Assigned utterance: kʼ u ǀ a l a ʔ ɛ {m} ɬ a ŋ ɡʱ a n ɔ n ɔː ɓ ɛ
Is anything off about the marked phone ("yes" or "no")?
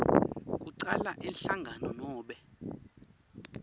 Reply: yes